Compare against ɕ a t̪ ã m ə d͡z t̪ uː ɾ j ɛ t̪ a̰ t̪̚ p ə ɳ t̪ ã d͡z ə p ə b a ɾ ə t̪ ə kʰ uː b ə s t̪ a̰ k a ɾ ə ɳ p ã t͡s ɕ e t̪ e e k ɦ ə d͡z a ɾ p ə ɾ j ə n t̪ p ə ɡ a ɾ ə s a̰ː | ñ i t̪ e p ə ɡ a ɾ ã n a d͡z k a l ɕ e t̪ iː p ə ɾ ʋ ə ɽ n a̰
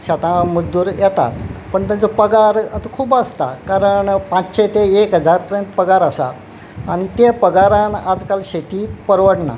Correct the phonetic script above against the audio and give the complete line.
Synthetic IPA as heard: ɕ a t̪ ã m ə d͡z d̪ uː ɾ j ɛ t̪ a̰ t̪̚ p ə ɳ t̪ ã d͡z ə p ə ɡ a ɾ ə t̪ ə kʰ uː b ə s t̪ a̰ k a ɾ ə ɳ p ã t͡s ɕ e t̪ e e k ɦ ə d͡z a ɾ p ə ɾ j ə n t̪ p ə ɡ a ɾ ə s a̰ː | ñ i t̪ e p ə ɡ a ɾ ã n a d͡z k a l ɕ e t̪ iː p ə ɾ ʋ ə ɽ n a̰